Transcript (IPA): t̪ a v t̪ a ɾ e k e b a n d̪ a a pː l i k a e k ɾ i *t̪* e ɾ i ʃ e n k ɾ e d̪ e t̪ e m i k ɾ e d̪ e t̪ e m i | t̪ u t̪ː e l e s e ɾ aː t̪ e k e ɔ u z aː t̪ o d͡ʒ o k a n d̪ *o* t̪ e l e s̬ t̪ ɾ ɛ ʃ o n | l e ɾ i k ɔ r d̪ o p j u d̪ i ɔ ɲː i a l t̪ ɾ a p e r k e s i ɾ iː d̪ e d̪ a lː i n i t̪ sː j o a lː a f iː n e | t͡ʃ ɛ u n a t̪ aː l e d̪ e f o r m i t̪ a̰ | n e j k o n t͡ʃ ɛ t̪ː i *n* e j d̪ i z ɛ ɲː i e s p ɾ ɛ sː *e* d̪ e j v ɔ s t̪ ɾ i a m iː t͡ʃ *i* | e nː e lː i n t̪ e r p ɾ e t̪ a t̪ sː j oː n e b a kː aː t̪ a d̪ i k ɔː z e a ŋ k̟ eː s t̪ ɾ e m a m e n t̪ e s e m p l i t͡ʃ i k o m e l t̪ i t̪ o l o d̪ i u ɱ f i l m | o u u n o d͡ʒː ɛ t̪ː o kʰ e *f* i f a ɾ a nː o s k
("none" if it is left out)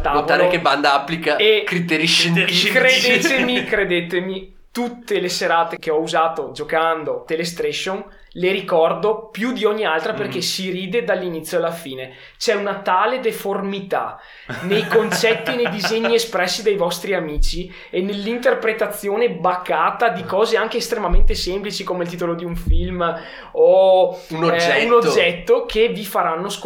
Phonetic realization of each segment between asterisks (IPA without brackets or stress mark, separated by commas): t̪, o, n, i, i, v